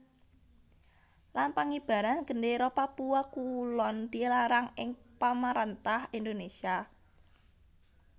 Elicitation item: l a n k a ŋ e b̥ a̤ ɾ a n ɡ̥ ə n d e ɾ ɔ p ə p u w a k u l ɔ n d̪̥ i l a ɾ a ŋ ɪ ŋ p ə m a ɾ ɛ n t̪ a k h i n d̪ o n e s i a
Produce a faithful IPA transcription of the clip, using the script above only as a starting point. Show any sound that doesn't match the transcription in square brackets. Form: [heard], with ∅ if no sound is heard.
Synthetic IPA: l a n [p] a ŋ [i] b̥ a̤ ɾ a n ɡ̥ ə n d e ɾ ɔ p [a] p u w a k u l ɔ n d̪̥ i l a ɾ a ŋ ɪ ŋ p [a] m a ɾ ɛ n t̪ a [∅] h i n d̪ o n e s i a

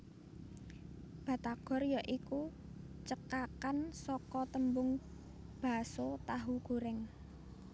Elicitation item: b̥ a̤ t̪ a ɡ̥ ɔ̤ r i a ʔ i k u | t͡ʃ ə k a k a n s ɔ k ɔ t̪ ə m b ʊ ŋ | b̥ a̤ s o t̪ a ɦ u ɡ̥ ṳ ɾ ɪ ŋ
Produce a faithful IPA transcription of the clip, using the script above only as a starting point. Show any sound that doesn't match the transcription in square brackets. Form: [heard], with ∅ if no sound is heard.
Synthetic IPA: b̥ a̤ t̪ a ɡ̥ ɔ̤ r [j] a ʔ i k u | t͡ʃ ə k a k a n s ɔ k ɔ t̪ ə m b ʊ ŋ | b̥ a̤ s o t̪ a ɦ u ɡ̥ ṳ ɾ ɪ ŋ

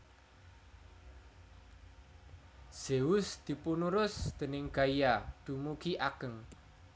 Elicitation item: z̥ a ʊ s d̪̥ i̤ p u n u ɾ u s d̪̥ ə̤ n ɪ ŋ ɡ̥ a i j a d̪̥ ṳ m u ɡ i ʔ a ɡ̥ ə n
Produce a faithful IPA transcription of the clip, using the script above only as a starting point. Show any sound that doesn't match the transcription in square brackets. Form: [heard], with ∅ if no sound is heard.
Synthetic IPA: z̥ [e] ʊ s d̪̥ i̤ p u n u ɾ [ʊ] s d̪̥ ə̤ n ɪ ŋ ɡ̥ a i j a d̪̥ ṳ m u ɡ i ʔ a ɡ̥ ə [ŋ]

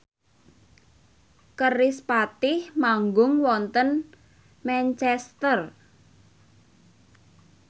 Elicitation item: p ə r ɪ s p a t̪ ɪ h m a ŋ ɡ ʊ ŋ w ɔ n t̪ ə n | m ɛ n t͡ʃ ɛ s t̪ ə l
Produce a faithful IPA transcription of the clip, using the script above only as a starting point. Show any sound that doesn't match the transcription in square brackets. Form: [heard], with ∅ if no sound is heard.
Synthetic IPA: [k] ə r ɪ s p a t̪ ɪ h m a ŋ ɡ ʊ ŋ w ɔ n t̪ ə n | m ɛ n t͡ʃ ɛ s t̪ ə [r]

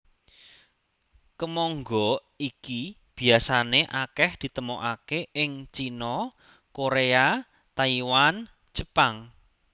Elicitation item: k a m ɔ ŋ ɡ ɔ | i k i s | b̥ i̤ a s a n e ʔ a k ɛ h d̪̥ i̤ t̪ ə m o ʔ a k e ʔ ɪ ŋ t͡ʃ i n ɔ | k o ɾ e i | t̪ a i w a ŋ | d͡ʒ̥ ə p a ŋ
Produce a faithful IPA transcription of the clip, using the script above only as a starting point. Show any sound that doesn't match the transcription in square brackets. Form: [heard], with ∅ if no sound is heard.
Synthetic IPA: k [ə] m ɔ ŋ ɡ ɔ | i k i [∅] | b̥ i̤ a s a n e ʔ a k ɛ h d̪̥ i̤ t̪ ə m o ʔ a k e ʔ ɪ ŋ t͡ʃ i n ɔ | k o ɾ e [a] | t̪ a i w a [n] | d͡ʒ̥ ə p a ŋ

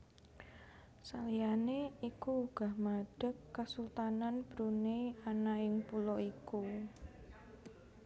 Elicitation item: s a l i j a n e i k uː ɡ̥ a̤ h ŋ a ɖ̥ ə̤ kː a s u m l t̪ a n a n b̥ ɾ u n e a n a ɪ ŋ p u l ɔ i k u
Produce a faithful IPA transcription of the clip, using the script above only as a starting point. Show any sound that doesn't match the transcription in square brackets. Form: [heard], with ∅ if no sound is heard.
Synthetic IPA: s a l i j a n e i k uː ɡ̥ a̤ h [m] a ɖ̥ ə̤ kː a s u [∅] l t̪ a n a n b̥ ɾ u n e a n a ɪ ŋ p u l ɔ i k u

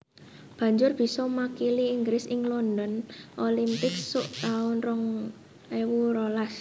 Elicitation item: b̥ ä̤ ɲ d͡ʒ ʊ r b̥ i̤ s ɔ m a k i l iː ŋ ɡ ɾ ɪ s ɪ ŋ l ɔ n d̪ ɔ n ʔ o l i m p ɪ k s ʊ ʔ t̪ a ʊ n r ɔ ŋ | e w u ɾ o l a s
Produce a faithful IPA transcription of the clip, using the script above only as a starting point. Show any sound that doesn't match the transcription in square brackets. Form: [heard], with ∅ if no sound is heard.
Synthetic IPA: b̥ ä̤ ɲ d͡ʒ ʊ r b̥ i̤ s ɔ m a k i l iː ŋ ɡ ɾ ɪ s ɪ ŋ l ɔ n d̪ ɔ n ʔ o l i m p ɪ k s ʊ ʔ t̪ a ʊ n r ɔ ŋ | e w u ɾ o l a s

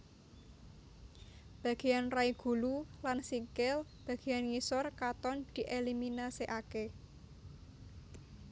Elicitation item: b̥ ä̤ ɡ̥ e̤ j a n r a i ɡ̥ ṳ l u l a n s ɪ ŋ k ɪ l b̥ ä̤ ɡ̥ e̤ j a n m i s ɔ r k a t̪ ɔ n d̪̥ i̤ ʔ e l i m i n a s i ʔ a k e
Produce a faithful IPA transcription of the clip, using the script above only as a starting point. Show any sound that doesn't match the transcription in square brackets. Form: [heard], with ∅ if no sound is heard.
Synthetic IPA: b̥ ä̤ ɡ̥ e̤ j a n r a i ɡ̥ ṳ l u l a n s [i] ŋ k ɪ l b̥ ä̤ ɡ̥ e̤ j a n [ŋ] i s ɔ r k a t̪ ɔ n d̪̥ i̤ ʔ e l i m i n a s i ʔ a k e

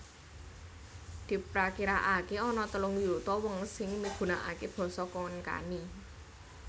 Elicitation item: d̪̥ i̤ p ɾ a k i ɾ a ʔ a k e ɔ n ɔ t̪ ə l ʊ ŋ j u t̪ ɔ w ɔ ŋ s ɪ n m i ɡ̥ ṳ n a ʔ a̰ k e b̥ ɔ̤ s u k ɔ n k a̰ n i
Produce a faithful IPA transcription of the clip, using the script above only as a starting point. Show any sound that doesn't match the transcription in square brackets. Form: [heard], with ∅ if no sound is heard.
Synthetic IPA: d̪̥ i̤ p ɾ a k i ɾ a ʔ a k e ɔ n ɔ t̪ ə l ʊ ŋ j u t̪ ɔ w ɔ ŋ s ɪ [ŋ] m i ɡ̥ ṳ n a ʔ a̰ k e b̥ ɔ̤ s [ɔ] k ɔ n k a̰ n i

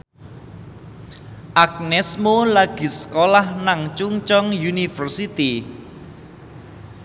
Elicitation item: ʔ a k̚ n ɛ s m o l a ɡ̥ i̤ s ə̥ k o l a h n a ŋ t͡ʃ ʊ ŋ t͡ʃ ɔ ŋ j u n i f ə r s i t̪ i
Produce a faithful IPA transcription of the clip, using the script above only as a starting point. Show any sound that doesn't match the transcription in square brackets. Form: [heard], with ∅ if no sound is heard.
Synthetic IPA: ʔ a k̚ n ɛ s m o l a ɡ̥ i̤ s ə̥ k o l a h n a ŋ t͡ʃ [u] ŋ t͡ʃ ɔ ŋ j u n i f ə r s i t̪ i

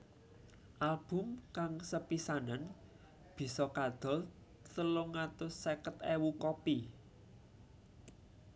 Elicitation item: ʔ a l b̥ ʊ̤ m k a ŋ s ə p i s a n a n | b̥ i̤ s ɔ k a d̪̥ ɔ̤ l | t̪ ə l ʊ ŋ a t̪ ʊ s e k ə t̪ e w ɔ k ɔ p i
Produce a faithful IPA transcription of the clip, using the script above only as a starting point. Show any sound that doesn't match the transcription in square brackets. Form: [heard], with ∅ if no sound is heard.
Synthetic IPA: ʔ a l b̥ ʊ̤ m k a ŋ s ə p i s a n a n | b̥ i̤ s ɔ k a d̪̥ ɔ̤ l | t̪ ə l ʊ ŋ a t̪ ʊ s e k ə t̪ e w [u] k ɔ p i

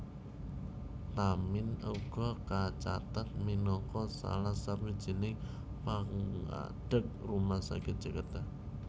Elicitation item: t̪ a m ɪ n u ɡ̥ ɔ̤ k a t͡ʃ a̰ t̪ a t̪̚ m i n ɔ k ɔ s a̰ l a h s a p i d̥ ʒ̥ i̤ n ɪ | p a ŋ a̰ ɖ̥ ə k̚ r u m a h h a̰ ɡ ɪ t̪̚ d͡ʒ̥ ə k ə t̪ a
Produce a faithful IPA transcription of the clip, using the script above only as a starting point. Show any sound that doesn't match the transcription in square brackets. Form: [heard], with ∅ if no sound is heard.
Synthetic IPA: t̪ a m ɪ n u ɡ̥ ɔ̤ k a t͡ʃ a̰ t̪ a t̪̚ m i n ɔ k ɔ s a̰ l a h s a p i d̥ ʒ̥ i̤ n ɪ | p a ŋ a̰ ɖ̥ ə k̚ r u m a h [s] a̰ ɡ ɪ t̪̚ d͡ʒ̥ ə k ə t̪ a

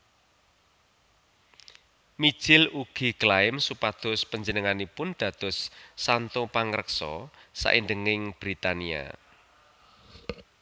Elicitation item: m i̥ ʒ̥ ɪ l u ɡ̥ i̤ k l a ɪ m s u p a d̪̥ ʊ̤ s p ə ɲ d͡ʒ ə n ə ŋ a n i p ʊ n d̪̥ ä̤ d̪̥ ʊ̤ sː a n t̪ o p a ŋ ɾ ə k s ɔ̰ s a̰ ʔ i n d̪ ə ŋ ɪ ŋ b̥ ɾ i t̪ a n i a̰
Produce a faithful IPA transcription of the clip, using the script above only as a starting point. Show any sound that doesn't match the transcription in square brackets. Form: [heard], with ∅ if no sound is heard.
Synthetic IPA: m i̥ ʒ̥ ɪ l u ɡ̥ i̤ k l a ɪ m s u p a d̪̥ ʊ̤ s p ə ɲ d͡ʒ ə n ə ŋ a n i p ʊ n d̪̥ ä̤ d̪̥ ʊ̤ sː a n t̪ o p a ŋ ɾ ə k s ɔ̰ s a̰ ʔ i n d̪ ə ŋ ɪ ŋ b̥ ɾ i t̪ a n i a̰

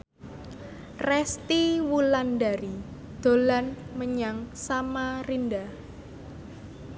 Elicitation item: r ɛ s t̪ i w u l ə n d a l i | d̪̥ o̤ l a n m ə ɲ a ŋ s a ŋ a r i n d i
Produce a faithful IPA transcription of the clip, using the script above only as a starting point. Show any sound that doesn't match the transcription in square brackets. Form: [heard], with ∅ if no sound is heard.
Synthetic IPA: r ɛ s t̪ i w u l [a] n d a [ɾ] i | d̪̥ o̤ l a n m ə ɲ a ŋ s a [m] a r i n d [a]

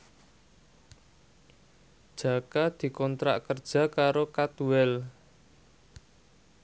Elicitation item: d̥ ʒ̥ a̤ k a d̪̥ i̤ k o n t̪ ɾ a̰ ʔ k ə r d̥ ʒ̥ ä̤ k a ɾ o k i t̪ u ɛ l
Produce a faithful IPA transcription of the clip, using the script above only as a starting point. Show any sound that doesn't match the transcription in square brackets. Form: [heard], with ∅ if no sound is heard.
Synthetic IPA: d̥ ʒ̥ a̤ k a d̪̥ i̤ k [ɔ] n t̪ ɾ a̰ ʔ k ə r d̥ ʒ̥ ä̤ k a ɾ o k [a] t̪ u ɛ l

